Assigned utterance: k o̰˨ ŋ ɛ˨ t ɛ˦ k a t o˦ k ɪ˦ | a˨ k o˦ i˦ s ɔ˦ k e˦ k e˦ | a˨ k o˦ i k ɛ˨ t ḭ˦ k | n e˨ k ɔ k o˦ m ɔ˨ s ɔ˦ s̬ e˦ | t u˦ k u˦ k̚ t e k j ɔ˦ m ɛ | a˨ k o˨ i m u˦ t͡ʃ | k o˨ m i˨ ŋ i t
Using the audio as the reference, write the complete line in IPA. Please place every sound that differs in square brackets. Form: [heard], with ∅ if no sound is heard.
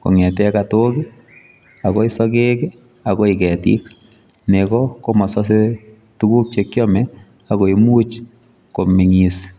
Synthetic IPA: k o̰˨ ŋ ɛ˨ t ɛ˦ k a t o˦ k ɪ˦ | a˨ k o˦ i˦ s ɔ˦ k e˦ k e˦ | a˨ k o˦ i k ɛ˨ t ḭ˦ k | n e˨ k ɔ k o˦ m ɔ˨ s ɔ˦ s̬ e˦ | t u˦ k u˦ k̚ [t͡ʃ] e k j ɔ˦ m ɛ | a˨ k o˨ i m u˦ t͡ʃ | k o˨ m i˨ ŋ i [s]